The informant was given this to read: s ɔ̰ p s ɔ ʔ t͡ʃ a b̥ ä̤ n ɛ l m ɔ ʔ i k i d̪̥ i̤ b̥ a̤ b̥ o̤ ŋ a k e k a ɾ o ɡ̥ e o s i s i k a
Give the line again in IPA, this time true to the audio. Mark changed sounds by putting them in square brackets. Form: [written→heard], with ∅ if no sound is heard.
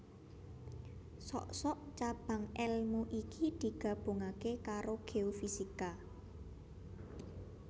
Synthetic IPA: s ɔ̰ [p→ʔ] s ɔ ʔ t͡ʃ a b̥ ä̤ [n→ŋ] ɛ l m [ɔ→u] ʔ i k i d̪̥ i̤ [b̥→ɡ̥] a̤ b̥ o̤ ŋ a k e k a ɾ o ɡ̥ e o [s→f] i s i k a